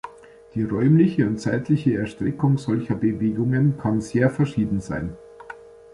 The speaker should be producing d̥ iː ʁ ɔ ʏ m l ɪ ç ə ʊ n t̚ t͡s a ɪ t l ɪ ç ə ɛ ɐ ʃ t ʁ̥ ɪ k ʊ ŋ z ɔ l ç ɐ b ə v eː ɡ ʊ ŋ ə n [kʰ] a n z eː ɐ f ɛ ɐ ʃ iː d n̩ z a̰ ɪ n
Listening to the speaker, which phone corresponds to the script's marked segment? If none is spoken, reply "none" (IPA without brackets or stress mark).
kʰ